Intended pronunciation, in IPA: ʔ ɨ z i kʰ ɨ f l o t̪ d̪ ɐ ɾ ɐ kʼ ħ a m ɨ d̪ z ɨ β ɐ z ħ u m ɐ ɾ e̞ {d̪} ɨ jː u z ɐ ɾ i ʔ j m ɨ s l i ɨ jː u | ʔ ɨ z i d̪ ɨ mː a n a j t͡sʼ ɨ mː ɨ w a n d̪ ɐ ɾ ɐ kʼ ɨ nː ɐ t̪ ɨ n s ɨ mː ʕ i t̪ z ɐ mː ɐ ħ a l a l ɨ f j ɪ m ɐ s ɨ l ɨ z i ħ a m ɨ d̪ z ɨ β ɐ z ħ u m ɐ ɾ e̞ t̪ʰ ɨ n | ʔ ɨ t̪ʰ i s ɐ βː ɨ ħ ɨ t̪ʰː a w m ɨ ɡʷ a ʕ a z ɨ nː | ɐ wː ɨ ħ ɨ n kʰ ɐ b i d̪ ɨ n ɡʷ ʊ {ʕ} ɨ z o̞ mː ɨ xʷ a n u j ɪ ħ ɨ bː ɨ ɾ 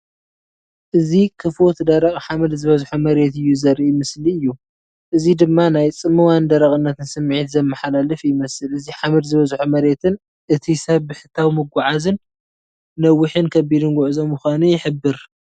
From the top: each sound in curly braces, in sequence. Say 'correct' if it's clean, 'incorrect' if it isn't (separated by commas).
incorrect, correct